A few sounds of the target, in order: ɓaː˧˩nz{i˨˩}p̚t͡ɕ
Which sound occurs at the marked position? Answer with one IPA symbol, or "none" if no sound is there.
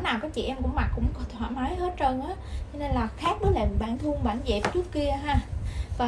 ɛ˨˩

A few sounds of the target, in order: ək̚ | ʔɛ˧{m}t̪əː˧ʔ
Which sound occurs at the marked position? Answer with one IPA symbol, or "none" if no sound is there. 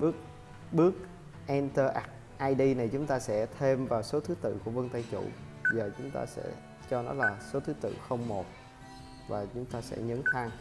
n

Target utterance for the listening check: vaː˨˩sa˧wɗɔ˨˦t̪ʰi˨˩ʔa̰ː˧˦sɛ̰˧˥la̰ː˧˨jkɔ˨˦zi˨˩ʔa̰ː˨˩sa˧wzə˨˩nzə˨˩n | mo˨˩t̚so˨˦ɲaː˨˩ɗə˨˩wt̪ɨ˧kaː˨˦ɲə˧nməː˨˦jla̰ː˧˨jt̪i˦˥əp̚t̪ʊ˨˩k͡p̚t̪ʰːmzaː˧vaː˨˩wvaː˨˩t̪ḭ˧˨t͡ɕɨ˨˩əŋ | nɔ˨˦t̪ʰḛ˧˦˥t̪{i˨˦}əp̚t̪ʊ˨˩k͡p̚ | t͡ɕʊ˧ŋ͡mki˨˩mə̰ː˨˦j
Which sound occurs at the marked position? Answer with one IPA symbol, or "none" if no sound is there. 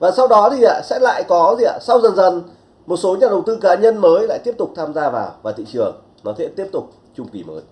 i˦˥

